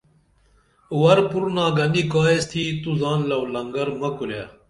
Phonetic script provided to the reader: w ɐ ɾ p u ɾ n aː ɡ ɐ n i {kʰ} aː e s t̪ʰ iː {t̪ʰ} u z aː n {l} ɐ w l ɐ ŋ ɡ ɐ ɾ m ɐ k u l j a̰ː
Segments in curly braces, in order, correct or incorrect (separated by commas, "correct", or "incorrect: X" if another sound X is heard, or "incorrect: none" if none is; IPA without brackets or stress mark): incorrect: k, incorrect: t̪, correct